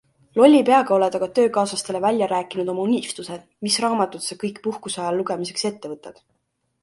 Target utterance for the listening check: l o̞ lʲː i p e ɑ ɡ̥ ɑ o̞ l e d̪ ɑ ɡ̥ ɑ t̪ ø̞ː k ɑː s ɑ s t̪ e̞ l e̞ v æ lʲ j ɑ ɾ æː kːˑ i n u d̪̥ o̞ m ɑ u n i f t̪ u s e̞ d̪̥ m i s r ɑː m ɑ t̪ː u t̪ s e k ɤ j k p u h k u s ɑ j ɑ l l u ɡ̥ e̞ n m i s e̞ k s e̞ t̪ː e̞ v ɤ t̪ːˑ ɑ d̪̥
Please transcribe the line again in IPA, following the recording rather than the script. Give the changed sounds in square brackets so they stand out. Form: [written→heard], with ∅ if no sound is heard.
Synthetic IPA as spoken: l o̞ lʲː i p e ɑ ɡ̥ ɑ o̞ l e d̪ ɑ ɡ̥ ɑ t̪ ø̞ː k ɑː s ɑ s t̪ e̞ l e̞ v æ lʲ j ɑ ɾ æː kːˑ i n u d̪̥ o̞ m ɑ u n i f t̪ u s e̞ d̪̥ m i s r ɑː m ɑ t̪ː u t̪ s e k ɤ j k p u h k u s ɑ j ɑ l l u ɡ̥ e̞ [n→∅] m i s e̞ k s e̞ t̪ː e̞ v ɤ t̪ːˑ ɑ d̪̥